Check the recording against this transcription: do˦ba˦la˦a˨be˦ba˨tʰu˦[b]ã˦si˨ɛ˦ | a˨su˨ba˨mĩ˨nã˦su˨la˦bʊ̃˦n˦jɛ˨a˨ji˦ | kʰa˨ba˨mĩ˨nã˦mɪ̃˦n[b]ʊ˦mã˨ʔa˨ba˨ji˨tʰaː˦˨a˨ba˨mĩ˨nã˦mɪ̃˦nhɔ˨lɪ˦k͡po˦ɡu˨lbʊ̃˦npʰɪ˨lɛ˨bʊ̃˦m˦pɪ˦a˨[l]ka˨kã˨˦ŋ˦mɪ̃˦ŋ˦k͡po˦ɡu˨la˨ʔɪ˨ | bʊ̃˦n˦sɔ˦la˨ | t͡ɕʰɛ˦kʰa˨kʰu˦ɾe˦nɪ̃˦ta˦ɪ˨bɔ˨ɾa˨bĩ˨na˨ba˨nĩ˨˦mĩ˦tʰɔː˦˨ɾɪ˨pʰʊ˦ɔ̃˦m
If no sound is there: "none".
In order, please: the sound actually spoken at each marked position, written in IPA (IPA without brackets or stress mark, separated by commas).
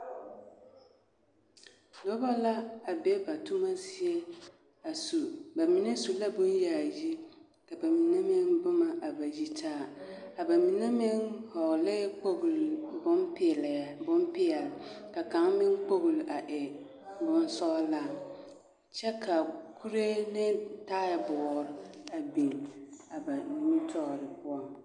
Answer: m, b, l